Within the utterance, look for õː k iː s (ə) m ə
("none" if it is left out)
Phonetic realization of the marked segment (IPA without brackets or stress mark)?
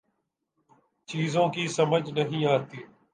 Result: ə